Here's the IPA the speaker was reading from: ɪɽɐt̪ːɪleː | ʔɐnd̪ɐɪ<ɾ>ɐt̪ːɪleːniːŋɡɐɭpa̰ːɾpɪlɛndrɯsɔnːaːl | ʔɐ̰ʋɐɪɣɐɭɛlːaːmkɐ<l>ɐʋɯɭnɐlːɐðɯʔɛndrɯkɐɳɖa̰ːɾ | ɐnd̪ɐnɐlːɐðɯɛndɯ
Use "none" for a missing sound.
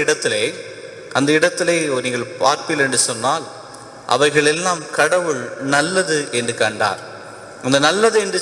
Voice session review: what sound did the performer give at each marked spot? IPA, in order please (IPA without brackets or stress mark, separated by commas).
ɽ, ɽ